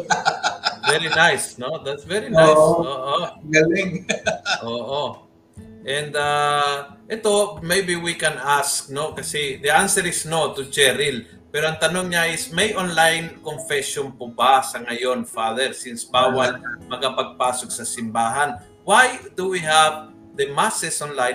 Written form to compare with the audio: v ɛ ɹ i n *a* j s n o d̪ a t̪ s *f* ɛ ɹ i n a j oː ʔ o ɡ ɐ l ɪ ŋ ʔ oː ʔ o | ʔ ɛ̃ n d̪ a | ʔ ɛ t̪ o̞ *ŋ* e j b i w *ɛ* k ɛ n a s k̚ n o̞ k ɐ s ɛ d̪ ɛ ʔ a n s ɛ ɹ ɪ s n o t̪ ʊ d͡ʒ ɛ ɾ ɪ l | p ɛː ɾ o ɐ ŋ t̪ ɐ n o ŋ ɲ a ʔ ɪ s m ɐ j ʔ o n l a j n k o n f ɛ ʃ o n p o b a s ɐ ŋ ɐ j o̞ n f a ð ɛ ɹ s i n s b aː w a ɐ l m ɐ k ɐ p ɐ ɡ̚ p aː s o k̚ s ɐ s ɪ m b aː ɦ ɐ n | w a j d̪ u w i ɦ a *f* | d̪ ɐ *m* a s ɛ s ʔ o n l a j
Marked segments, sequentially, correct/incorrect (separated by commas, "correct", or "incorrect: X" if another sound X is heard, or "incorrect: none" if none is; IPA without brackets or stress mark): correct, incorrect: v, incorrect: m, incorrect: i, incorrect: v, correct